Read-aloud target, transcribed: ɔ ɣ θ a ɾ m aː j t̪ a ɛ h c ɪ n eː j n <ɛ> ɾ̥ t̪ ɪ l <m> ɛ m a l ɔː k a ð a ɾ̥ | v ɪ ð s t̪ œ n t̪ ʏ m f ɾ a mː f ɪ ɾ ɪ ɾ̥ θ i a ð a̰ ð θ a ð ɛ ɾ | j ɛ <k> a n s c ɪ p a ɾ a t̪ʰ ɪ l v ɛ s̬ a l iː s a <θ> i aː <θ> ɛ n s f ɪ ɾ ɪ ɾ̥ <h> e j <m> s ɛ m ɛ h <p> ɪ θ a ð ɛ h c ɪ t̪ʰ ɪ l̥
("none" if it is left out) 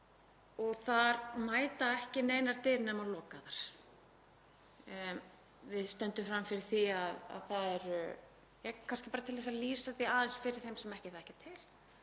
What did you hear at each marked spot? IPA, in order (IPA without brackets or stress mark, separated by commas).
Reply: a, n, kʰ, θ, ð, θ, m, c